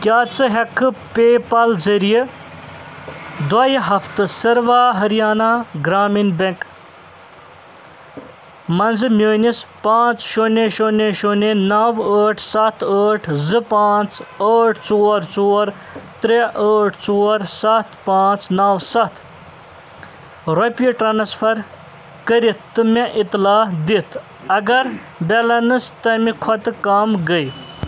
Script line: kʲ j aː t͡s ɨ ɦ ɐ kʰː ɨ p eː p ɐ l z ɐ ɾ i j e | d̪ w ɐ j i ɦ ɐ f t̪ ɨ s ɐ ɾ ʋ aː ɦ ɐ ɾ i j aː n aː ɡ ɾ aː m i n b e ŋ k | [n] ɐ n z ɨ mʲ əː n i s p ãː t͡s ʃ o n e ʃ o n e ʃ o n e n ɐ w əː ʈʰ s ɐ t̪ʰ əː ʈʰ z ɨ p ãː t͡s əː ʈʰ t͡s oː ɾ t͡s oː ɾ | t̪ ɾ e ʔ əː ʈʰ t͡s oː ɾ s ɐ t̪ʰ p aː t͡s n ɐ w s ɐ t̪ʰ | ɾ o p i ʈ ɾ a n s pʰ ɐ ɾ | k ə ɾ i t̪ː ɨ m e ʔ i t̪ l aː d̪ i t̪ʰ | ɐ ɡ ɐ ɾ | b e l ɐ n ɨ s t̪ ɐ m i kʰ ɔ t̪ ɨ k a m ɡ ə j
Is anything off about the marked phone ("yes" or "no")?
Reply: yes